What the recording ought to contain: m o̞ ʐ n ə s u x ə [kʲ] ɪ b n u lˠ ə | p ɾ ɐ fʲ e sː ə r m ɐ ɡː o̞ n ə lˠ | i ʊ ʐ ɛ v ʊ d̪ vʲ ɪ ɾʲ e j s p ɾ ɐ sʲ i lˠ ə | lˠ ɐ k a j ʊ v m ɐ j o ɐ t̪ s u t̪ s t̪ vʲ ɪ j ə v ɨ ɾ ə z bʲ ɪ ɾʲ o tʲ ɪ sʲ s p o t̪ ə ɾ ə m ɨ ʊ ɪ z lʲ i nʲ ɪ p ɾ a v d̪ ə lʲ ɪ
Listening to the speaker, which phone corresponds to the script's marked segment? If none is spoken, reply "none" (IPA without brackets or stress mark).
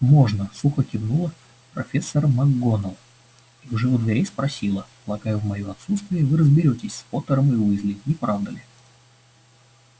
kʲ